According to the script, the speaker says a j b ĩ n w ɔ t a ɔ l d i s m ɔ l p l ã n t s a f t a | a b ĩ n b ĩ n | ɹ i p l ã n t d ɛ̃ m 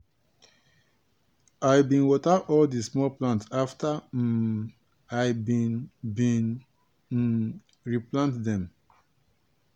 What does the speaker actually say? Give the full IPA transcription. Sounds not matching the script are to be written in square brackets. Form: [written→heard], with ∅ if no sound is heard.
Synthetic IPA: a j b ĩ n w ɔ t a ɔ l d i s m ɔ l p l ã n t s a f t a | a b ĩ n b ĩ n | ɹ i p l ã n t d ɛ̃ m

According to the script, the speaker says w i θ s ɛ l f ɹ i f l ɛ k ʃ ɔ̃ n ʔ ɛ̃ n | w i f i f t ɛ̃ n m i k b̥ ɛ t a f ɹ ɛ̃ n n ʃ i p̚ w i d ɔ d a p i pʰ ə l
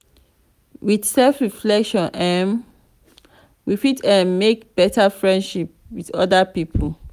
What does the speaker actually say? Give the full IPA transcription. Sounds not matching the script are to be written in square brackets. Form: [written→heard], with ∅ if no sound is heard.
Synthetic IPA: w i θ s ɛ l f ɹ i f l ɛ k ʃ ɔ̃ n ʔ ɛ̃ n | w i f i [f→∅] t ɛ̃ n m [i→e] k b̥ ɛ t a f ɹ ɛ̃ n [n→d] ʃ i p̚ w i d ɔ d a p i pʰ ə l

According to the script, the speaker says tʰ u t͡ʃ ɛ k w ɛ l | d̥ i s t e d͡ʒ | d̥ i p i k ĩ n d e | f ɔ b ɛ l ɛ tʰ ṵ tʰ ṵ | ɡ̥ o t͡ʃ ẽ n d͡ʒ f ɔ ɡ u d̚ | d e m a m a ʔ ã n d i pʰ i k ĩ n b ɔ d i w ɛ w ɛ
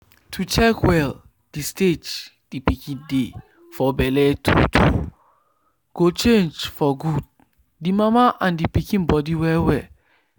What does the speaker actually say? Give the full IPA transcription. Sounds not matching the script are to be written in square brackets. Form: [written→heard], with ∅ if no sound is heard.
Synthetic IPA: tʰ u t͡ʃ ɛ k w ɛ l | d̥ i s t e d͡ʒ | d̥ i p i k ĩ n d e | f ɔ b ɛ l ɛ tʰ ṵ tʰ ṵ | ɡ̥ o t͡ʃ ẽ n d͡ʒ f ɔ ɡ u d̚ | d [e→i] m a m a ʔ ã n d i [pʰ→p] i k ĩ n b ɔ d i w ɛ w ɛ

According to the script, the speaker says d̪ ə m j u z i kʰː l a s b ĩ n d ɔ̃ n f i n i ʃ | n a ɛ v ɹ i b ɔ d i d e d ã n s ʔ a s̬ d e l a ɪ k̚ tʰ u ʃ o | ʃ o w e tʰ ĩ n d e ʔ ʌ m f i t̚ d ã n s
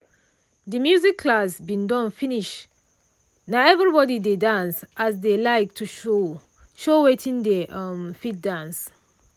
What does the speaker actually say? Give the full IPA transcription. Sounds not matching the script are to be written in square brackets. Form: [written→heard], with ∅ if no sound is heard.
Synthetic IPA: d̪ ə m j u z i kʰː l a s b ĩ n d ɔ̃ n f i n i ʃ | n a ɛ v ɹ i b ɔ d i d e d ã n s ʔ a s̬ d e l a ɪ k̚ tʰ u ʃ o | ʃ o w e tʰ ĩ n d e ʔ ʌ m f i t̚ d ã n s

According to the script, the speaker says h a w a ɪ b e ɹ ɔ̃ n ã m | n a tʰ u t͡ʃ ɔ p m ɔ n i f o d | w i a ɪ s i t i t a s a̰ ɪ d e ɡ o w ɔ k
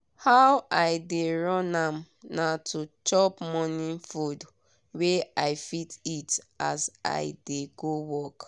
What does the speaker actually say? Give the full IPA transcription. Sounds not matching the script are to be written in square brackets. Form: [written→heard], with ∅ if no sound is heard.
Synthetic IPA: h a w a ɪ [b→d] e ɹ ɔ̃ n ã m | n a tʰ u t͡ʃ ɔ p m ɔ n i f [o→u] d | w [i→e] a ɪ [s→f] i t i t a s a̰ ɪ d e ɡ o w ɔ k

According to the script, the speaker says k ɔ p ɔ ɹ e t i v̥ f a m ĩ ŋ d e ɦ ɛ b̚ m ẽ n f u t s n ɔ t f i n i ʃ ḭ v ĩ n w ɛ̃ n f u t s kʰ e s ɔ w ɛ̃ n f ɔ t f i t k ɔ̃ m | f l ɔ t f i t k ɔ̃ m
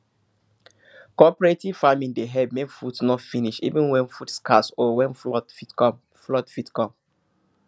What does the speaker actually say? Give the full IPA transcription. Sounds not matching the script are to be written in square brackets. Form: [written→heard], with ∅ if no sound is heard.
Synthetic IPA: k ɔ p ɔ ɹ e t i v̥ f a m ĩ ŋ d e ɦ ɛ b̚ m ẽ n f u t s n ɔ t f i n i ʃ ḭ v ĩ n w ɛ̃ n f u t s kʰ [e→a] s ɔ w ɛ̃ n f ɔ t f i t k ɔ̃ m | f l ɔ t f i t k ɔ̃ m

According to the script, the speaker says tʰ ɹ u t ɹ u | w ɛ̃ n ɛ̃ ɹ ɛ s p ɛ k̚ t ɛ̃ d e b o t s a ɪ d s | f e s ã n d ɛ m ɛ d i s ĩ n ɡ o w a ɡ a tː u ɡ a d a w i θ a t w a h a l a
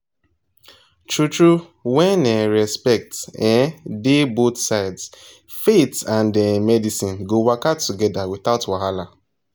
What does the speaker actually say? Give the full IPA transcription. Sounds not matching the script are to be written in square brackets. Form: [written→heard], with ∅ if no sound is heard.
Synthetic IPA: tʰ ɹ u t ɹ u | w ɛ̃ n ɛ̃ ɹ ɛ s p ɛ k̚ t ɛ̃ d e b o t s a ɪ d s | f e [s→t] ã n d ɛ m ɛ d i s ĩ n ɡ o w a [ɡ→k] a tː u ɡ [a→ɛ] d a w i θ a t w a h a l a

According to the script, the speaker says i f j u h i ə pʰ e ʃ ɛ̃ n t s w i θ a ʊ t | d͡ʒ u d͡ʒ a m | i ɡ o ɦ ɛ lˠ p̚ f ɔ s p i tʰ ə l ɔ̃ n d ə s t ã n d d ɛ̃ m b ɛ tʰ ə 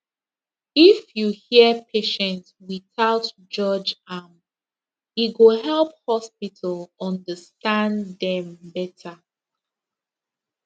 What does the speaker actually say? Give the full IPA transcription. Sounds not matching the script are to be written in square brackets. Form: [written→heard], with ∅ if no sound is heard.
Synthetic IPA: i f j u h i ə pʰ e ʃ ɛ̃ n t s w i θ a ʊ t | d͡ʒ [u→ɔ] d͡ʒ a m | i ɡ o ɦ ɛ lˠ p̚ [f→h] ɔ s p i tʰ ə l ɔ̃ n d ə s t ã n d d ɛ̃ m b ɛ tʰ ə

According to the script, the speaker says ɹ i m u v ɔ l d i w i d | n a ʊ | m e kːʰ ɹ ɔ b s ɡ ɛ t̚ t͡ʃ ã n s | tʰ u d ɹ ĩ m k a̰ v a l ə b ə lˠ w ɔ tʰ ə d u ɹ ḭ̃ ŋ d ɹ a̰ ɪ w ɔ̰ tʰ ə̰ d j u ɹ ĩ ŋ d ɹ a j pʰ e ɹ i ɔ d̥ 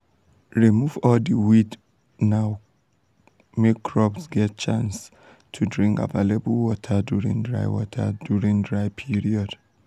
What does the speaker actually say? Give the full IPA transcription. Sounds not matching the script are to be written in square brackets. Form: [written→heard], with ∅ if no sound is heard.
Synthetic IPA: ɹ i m u v ɔ l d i w i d | n a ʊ | m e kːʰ ɹ ɔ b s ɡ ɛ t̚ t͡ʃ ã n s | tʰ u d ɹ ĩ [m→ŋ] k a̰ v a l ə b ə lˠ w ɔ tʰ ə d u ɹ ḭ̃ ŋ d ɹ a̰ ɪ w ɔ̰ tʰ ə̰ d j u ɹ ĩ ŋ d ɹ a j pʰ [e→i] ɹ i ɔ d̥

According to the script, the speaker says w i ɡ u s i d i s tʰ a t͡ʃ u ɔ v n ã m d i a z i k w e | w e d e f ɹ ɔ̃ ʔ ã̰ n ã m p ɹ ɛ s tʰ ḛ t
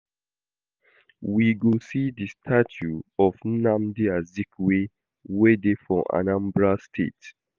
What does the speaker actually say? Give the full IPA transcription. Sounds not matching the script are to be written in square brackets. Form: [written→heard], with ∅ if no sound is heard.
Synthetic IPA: w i ɡ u s i d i s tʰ a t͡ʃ u ɔ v n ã m d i a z i k w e | w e d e f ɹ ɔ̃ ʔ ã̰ n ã m [p→b] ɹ [ɛ→a] s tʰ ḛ t

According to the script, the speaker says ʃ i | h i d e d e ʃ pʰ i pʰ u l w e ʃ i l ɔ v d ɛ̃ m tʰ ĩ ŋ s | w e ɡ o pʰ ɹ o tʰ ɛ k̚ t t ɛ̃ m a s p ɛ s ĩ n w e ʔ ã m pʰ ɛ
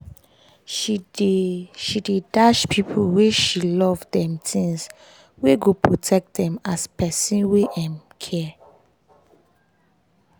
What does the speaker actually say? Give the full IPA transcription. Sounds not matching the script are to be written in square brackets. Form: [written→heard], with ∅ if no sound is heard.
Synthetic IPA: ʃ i | [h→ʃ] i d e d [e→a] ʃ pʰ i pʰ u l w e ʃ i l ɔ v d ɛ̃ m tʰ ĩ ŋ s | w e ɡ o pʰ ɹ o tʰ ɛ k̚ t [t→d] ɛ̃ m a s p ɛ s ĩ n w e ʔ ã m [pʰ→kʰ] ɛ

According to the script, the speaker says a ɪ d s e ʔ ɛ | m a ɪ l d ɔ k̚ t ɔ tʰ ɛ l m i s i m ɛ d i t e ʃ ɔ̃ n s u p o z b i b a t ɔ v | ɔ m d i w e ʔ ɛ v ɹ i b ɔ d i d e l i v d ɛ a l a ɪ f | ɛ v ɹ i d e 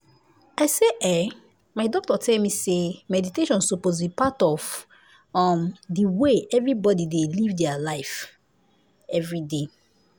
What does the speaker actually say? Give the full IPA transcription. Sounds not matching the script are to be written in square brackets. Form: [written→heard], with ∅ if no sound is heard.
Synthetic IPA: a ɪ [d→∅] s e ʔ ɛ | m a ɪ [l→∅] d ɔ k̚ t ɔ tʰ ɛ l m i s [i→e] m ɛ d i t e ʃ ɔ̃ n s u p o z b i [b→p] a t ɔ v | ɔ m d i w e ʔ ɛ v ɹ i b ɔ d i d e l i v d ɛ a l a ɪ f | ɛ v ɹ i d e

